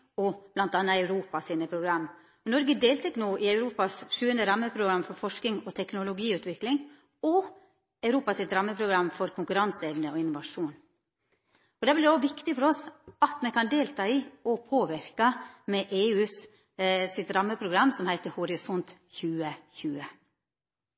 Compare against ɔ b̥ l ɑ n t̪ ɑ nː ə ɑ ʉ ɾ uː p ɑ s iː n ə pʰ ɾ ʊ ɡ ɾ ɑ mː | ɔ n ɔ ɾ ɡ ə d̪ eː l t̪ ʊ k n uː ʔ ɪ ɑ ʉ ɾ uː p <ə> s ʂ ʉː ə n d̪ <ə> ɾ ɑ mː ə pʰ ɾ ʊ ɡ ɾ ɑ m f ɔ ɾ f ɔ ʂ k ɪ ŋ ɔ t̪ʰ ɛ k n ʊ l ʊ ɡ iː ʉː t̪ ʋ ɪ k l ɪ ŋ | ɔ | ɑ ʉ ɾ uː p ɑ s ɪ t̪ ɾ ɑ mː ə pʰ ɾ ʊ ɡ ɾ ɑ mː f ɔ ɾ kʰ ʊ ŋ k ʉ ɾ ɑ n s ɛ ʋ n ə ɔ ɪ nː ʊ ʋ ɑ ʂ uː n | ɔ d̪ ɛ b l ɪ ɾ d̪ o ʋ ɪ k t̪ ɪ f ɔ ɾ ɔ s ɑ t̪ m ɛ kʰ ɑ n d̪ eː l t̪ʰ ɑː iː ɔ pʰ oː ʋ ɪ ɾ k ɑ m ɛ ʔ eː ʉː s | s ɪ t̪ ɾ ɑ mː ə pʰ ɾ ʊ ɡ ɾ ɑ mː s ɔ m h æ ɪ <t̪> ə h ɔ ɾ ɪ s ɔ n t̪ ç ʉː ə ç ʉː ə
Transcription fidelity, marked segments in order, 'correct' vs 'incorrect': incorrect: ɑ, correct, correct

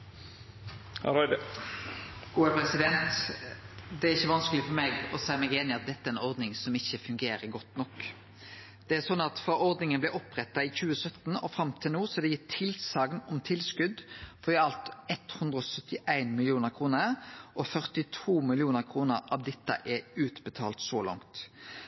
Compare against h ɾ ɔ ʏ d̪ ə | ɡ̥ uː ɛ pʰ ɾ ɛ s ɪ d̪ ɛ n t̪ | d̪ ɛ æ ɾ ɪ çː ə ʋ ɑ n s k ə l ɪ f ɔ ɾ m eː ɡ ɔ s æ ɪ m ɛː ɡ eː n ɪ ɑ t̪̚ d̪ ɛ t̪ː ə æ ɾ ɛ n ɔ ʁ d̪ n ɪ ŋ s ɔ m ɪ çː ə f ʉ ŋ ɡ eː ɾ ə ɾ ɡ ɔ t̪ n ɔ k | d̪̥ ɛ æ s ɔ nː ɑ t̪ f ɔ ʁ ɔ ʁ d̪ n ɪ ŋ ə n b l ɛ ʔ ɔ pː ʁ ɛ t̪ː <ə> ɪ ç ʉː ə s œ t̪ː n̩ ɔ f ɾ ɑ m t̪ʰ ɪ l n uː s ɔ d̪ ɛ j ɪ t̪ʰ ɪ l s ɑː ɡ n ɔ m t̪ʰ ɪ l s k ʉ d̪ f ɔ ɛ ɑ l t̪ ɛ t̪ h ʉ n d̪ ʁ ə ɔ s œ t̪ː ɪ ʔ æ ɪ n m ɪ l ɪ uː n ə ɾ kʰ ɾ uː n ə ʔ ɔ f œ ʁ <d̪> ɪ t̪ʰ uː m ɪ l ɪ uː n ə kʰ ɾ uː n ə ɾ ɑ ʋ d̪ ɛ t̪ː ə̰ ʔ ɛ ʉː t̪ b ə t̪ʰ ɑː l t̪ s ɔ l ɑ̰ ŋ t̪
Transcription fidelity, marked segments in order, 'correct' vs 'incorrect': incorrect: ɑ, incorrect: t̪

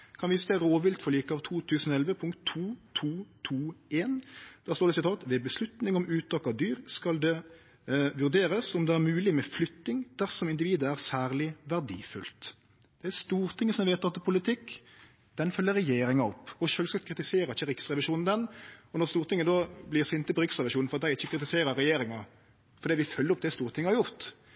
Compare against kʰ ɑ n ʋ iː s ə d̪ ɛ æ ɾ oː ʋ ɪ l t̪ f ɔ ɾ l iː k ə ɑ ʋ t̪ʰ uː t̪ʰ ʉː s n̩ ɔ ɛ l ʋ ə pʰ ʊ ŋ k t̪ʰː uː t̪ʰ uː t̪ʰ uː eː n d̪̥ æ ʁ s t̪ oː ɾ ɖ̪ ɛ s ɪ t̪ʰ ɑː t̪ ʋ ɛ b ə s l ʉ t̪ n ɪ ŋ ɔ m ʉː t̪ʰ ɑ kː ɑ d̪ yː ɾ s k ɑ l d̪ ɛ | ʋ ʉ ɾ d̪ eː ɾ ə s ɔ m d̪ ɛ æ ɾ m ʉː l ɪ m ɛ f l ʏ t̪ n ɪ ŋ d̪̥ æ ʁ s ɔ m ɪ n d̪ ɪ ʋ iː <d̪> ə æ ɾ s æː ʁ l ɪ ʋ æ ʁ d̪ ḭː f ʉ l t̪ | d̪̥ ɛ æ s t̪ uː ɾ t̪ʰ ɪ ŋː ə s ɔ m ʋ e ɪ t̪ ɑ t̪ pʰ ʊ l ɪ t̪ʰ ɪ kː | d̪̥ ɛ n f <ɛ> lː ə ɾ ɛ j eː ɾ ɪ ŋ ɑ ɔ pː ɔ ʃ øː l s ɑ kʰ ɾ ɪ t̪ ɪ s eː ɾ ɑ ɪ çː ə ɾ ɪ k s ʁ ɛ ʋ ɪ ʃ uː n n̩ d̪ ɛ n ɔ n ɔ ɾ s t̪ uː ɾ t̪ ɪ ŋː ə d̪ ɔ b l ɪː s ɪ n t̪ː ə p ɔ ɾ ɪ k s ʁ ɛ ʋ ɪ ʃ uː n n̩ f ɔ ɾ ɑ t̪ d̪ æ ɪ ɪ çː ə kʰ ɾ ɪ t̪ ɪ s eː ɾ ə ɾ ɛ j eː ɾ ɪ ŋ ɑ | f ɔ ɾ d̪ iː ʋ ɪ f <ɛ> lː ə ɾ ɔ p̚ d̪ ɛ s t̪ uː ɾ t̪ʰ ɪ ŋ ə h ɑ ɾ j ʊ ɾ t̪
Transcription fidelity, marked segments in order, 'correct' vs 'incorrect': correct, incorrect: œ, incorrect: œ

